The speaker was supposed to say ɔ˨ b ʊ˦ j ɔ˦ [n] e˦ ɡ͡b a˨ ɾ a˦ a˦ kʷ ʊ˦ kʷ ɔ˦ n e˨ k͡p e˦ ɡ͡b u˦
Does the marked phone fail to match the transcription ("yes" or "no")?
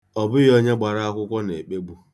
yes